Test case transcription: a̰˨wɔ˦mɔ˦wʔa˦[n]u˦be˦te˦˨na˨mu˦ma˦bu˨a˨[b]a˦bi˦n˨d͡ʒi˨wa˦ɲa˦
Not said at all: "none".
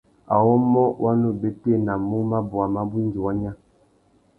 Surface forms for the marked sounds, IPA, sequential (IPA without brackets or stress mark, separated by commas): n, m